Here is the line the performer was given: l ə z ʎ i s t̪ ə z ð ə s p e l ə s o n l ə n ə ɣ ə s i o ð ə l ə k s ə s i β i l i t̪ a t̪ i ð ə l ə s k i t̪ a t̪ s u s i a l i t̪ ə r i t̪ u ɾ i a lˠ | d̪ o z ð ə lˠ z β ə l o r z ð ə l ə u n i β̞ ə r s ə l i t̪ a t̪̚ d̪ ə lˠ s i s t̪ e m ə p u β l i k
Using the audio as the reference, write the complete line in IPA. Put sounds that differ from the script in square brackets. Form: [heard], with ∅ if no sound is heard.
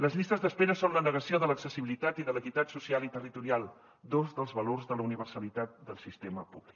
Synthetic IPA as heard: l ə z ʎ i s t̪ ə z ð ə s p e [ɾ] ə s o n l ə n ə ɣ ə s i o ð ə l ə k s ə s i β i l i t̪ a t̪ i ð ə l ə [∅] k i t̪ a t̪ s u s i a l i t̪ ə r i t̪ u ɾ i a lˠ | d̪ o z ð ə lˠ z β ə l o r z ð ə l ə u n i β̞ ə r s ə l i t̪ a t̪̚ d̪ ə lˠ s i s t̪ e m ə p u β l i k